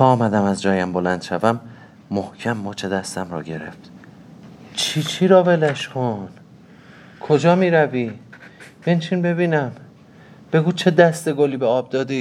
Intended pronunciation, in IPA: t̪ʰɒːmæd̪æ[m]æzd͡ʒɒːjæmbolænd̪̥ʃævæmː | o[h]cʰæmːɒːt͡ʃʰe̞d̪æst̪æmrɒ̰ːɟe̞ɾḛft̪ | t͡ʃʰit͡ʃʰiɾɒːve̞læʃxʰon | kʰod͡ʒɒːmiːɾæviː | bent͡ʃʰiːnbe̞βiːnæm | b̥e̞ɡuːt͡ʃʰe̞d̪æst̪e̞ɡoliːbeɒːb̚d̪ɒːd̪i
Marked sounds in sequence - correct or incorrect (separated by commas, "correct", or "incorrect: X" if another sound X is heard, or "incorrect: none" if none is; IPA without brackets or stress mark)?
correct, correct